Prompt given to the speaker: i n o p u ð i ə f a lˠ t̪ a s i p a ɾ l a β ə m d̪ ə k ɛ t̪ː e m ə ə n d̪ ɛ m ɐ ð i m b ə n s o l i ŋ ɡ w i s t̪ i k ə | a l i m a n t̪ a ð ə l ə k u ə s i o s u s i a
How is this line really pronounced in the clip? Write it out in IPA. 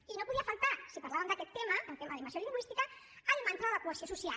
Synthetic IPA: i n o p u ð i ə f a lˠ t̪ a s i p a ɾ l a β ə m d̪ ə k ɛ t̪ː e m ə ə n t̪ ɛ m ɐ ð i m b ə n s o l i ŋ ɡ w i s t̪ i k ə | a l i m a n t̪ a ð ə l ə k u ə s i o s u s i a

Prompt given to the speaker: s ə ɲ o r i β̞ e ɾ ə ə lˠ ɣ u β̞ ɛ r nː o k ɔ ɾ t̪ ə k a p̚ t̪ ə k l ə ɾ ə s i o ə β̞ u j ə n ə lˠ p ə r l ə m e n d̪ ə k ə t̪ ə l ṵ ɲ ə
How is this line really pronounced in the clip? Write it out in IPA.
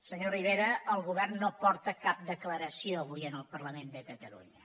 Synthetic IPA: s ə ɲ o r i β̞ e ɾ ə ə lˠ ɣ u β̞ ɛ r nː o p ɔ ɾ t̪ ə k a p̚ d̪ ə k l ə ɾ ə s i o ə β̞ u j ə n ə lˠ p ə r l ə m e n d̪ ə k ə t̪ ə l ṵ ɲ ə

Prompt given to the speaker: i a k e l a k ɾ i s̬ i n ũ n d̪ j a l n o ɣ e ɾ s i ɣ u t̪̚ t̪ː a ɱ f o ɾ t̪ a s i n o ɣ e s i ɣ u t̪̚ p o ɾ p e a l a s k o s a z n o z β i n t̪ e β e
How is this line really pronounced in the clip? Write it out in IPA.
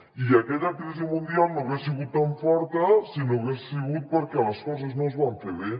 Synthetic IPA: i a k e ʎ a k ɾ i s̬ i m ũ n d̪ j a l n o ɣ e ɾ s i ɣ u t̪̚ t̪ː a ɱ f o ɾ t̪ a s i n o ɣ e s i ɣ u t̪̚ p o ɾ k e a l a s k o s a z n o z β a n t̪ e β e

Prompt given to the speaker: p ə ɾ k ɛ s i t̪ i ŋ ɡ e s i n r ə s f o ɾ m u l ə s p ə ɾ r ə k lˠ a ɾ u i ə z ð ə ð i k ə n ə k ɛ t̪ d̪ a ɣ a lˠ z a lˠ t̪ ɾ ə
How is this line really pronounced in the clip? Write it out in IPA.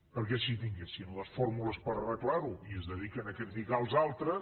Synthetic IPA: p ə ɾ k ɛ s i t̪ i ŋ ɡ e s i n l ə s f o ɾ m u l ə s p ə ɾ r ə k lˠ a ɾ u i ə z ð ə ð i k ə n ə k ɛ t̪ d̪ i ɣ a lˠ z a lˠ t̪ ɾ ə

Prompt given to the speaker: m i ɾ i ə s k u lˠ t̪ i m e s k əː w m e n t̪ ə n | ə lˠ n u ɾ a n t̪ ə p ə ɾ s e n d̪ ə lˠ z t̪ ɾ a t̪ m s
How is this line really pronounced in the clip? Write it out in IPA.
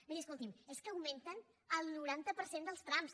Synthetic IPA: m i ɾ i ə s k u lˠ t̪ i m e s k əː w m e n t̪ ə n | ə lˠ n u ɾ a n t̪ ə p ə ɾ s e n d̪ ə lˠ s t̪ ɾ a m s

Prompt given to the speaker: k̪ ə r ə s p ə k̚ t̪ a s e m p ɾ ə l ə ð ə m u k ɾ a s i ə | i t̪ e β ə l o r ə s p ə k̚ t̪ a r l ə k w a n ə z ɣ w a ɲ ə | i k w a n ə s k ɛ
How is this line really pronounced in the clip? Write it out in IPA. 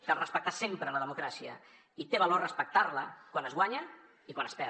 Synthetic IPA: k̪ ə r ə s p ə k̚ t̪ a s e m p ɾ ə l ə ð ə m u k ɾ a s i ə | i t̪ e β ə l o r ə s p ə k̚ t̪ a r l ə k w a n ə z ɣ w a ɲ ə | i k w a n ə s p ɛ

